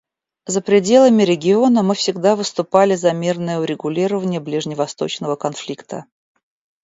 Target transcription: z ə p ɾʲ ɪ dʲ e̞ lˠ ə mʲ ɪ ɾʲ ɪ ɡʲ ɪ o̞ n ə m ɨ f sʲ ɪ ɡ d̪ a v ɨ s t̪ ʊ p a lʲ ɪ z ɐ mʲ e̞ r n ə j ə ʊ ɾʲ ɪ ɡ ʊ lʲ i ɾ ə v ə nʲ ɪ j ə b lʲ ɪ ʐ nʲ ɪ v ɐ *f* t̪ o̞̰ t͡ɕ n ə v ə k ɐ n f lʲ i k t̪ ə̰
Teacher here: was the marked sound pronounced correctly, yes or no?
no